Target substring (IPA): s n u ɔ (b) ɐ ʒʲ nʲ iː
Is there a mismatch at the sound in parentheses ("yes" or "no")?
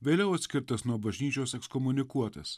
no